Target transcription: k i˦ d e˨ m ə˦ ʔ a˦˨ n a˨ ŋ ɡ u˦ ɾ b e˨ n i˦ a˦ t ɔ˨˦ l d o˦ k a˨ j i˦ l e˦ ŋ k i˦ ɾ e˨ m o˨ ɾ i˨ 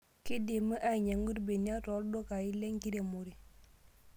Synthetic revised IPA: k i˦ d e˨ m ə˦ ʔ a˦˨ ɲ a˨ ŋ ɡ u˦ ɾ b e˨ n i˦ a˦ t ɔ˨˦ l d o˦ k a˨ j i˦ l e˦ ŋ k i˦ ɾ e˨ m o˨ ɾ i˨